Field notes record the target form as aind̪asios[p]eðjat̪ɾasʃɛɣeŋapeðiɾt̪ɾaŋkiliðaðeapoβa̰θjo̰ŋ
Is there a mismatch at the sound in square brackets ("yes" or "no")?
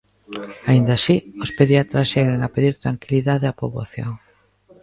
no